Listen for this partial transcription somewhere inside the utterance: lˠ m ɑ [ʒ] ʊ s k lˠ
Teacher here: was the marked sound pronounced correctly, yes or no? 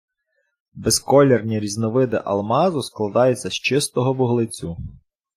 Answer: no